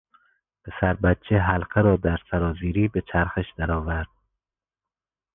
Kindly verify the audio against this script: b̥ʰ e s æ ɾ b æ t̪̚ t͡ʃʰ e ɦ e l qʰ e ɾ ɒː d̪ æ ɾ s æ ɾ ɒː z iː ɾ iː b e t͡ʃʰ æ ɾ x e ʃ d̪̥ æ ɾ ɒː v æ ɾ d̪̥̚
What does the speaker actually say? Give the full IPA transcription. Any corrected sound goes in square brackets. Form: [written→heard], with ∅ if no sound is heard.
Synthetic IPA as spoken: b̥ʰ e s æ ɾ b æ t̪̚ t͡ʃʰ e ɦ [e→æ] l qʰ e ɾ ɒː d̪ æ ɾ s æ ɾ ɒː z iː ɾ iː b e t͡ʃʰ æ ɾ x e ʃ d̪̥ æ ɾ ɒː v æ ɾ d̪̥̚

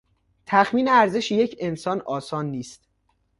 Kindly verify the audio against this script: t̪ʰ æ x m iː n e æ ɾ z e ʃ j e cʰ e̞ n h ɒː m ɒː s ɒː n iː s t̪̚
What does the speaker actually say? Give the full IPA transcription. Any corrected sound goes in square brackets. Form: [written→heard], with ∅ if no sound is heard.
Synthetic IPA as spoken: t̪ʰ æ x m iː n e æ ɾ z e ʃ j e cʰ e̞ n [h→s] ɒː [m→n] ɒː s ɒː [n→nː] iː s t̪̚

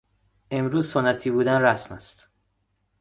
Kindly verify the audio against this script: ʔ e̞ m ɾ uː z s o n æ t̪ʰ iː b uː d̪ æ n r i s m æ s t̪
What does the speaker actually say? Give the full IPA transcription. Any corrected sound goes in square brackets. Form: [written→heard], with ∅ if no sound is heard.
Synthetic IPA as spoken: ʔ e̞ m ɾ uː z s o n æ t̪ʰ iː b uː d̪ æ n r [i→æ] s m æ s t̪

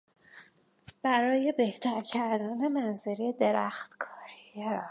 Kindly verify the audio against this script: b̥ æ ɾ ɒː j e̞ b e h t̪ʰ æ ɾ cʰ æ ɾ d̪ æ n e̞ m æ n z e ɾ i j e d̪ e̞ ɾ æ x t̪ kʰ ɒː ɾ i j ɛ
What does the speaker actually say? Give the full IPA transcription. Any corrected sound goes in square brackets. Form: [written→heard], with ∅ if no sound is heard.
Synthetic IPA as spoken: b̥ æ ɾ ɒː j e̞ b e h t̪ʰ æ ɾ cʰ æ ɾ d̪ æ n e̞ m æ n z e ɾ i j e d̪ e̞ ɾ æ x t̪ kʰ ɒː ɾ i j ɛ

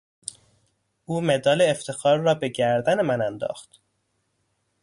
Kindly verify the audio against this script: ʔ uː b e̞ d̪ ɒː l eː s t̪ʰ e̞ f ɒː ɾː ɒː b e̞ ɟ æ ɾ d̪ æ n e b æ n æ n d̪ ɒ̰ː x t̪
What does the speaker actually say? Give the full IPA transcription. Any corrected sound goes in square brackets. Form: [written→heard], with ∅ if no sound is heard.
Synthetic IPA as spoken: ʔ uː [b→m] e̞ d̪ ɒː l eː [s→f] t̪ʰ e̞ [f→x] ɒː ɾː ɒː b e̞ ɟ æ ɾ d̪ æ n e [b→m] æ n æ n d̪ ɒ̰ː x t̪

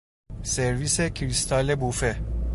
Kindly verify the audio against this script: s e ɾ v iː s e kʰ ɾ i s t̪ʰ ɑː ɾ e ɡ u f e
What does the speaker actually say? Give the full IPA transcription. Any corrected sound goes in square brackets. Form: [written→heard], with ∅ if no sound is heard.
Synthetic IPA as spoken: s e ɾ v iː s e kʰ ɾ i s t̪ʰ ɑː [ɾ→l] e [ɡ→b] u f e

